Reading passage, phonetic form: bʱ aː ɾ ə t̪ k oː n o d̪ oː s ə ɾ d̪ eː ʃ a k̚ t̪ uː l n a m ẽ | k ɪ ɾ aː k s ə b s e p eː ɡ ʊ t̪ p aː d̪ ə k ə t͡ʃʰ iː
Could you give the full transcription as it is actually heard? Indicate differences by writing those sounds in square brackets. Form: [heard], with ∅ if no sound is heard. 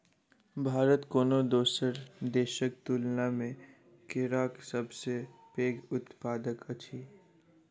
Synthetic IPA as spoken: bʱ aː ɾ ə t̪ k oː n o d̪ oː s ə ɾ d̪ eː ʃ [ə] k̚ t̪ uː l n a m ẽ | k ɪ ɾ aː k s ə b s e p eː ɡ ʊ t̪ p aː d̪ ə k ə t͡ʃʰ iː